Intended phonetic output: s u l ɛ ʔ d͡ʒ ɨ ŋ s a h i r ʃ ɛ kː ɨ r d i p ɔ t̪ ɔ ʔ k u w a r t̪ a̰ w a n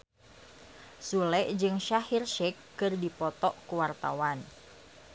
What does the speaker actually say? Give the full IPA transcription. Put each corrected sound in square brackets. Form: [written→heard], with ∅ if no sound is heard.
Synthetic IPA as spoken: s u l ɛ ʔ d͡ʒ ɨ ŋ [s→ʃ] a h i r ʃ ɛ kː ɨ r d i p ɔ t̪ ɔ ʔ k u w a r t̪ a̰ w a n